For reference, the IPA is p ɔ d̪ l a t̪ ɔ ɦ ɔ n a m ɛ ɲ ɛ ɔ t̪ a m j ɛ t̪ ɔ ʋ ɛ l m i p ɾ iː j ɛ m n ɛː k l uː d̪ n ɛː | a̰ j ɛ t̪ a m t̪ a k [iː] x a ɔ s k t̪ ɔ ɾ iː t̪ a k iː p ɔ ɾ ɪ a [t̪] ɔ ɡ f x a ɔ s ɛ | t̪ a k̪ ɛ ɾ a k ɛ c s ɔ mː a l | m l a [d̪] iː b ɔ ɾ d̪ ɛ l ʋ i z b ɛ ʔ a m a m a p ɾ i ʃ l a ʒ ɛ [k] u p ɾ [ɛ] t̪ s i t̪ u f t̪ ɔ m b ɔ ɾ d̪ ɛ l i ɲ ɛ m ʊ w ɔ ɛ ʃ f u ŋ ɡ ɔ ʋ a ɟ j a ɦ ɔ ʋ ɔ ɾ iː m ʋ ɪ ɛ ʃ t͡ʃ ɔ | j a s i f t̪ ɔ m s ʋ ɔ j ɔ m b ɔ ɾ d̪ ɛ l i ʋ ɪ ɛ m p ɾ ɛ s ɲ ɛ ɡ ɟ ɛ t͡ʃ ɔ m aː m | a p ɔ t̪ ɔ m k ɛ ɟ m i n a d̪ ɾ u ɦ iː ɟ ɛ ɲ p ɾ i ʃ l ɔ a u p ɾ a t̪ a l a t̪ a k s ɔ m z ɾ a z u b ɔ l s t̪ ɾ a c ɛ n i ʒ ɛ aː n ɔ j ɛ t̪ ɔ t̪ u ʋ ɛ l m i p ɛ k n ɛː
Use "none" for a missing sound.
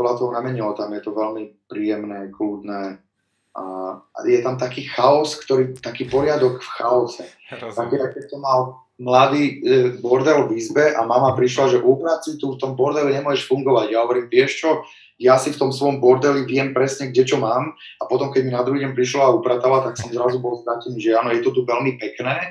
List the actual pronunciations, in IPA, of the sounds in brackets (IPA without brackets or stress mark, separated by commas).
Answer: iː, d̪, d̪, ʔ, a